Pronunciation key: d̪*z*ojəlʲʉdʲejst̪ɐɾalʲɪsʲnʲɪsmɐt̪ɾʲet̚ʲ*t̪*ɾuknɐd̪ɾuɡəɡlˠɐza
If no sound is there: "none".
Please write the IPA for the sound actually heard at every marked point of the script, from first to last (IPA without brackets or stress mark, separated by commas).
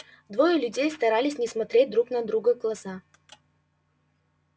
v, d̪